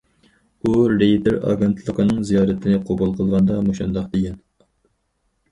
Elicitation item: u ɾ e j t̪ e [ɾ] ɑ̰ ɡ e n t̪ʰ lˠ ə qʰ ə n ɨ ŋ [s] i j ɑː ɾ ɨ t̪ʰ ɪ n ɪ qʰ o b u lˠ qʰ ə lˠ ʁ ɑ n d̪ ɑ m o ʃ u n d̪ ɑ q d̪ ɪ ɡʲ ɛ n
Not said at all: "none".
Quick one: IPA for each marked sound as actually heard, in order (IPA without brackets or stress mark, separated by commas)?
ɾ, z